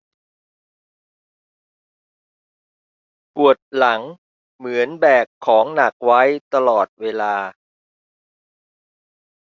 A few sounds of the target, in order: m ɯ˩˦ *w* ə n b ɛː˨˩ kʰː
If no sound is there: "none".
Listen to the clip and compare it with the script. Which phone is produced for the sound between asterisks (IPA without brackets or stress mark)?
none